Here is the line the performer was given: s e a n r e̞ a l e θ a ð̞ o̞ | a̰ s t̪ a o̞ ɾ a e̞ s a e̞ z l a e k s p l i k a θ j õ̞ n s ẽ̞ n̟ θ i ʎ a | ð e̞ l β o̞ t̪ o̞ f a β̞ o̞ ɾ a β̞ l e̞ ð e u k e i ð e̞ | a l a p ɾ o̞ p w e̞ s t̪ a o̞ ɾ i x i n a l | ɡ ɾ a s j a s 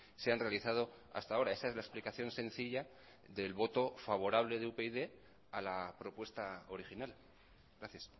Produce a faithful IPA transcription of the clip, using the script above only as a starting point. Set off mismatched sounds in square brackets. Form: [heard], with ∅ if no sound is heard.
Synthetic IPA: s e a n r e̞ a l [i] θ a ð̞ o̞ | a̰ s t̪ a o̞ ɾ a e̞ s a e̞ z l a e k s p l i k a θ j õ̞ n s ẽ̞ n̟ θ i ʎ a | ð e̞ l β o̞ t̪ o̞ f a β̞ o̞ ɾ a β̞ l e̞ ð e u [p] e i ð e̞ | a l a p ɾ o̞ p w e̞ s t̪ a o̞ ɾ i x i n a l | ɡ ɾ a [θ] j a s